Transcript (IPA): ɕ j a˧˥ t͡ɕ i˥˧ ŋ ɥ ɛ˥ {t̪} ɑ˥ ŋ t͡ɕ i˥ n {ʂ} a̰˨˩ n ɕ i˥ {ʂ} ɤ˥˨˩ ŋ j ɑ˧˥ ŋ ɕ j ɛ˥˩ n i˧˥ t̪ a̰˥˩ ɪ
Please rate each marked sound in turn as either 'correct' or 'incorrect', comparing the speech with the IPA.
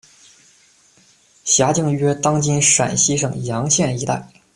correct, correct, correct

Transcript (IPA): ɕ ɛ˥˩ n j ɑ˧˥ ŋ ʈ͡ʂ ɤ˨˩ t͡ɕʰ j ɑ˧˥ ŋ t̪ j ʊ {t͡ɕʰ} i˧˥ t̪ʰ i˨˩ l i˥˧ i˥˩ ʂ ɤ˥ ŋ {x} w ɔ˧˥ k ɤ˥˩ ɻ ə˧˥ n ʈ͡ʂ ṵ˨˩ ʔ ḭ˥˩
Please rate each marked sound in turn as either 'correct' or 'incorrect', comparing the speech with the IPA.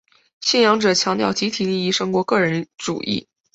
incorrect, incorrect

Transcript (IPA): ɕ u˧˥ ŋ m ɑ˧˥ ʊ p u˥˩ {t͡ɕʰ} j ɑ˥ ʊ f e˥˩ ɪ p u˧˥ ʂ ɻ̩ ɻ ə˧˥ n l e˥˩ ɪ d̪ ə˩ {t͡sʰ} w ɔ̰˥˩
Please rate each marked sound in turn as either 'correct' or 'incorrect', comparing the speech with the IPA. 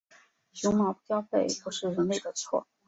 incorrect, correct

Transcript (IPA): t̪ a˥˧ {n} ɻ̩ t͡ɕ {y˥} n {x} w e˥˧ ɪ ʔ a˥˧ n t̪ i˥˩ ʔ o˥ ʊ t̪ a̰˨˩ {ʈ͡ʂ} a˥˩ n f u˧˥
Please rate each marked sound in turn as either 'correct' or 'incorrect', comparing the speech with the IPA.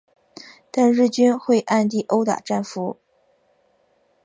correct, correct, correct, correct

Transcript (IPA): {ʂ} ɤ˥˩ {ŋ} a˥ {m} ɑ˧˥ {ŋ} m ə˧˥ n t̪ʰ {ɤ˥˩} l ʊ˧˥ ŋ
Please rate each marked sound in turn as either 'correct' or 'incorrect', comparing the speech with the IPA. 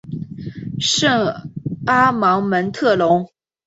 correct, correct, correct, correct, correct

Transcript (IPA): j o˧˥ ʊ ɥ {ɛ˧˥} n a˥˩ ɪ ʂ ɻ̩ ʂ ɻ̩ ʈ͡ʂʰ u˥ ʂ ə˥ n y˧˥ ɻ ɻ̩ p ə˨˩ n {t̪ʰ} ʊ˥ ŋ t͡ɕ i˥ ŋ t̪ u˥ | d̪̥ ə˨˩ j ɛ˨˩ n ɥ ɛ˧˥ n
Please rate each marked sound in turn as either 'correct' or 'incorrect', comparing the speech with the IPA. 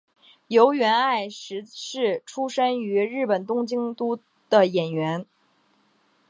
correct, incorrect

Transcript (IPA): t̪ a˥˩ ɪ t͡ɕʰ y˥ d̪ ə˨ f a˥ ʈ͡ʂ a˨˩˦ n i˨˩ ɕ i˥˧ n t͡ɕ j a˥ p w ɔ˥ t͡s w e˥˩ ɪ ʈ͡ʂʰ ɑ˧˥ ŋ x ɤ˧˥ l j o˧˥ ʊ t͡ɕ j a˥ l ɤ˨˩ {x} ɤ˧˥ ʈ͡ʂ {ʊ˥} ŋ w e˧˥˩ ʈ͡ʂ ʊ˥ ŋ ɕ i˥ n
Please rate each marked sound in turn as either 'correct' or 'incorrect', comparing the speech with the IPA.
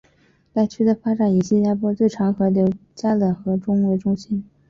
correct, correct

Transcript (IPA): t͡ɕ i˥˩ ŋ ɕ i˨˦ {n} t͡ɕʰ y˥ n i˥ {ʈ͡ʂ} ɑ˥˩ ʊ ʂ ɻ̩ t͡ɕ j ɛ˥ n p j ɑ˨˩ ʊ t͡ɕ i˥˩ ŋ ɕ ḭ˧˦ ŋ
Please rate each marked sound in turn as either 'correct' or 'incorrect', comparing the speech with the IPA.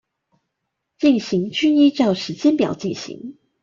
incorrect, correct

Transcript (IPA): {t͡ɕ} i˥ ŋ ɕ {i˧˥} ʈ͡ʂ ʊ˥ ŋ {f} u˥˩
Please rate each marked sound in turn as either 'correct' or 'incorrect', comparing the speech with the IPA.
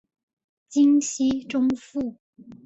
correct, incorrect, correct

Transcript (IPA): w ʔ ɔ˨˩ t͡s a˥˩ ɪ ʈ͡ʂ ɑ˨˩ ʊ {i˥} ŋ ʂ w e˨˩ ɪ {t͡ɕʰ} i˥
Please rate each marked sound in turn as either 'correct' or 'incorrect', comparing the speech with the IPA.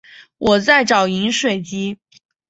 incorrect, incorrect

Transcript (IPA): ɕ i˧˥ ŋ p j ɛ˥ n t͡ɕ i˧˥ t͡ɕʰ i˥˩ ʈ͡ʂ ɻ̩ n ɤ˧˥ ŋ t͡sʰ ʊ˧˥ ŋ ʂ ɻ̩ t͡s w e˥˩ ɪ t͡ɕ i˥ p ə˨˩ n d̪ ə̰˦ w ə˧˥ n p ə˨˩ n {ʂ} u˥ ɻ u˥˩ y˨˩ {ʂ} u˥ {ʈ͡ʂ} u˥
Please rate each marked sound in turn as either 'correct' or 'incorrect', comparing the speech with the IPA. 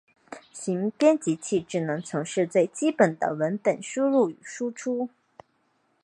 correct, correct, incorrect

